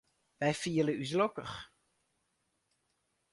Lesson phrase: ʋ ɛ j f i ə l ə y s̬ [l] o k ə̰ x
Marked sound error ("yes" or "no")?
no